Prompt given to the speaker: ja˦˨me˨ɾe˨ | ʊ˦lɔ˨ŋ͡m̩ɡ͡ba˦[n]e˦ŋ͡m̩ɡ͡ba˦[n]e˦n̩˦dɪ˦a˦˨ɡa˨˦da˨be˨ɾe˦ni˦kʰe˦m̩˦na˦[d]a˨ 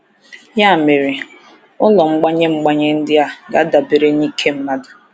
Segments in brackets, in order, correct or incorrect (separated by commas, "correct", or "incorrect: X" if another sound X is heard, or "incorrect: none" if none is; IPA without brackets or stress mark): incorrect: ɲ, incorrect: ɲ, correct